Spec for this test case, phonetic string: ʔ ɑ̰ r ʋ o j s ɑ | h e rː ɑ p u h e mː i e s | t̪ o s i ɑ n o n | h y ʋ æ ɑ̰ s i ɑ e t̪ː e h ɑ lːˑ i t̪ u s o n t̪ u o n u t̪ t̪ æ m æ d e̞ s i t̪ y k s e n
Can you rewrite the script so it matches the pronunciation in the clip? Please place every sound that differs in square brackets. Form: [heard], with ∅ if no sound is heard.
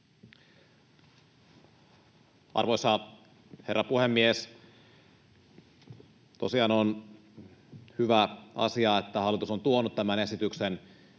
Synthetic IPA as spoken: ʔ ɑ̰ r ʋ o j s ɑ | h e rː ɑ p u h e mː i e s | t̪ o s i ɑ n o n | h y ʋ æ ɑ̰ s i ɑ e t̪ː [æ] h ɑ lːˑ i t̪ u s o n t̪ u o n u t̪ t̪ æ m æ [n] e̞ s i t̪ y k s e n